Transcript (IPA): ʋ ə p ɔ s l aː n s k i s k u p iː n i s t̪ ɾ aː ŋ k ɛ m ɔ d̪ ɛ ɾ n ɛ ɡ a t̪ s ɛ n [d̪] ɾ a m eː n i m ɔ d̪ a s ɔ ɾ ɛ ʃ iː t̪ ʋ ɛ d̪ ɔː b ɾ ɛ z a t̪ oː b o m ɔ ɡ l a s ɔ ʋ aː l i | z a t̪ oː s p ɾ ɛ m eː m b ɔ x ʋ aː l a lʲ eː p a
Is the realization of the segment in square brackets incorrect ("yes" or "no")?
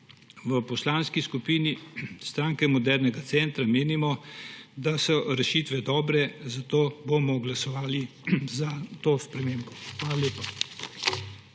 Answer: yes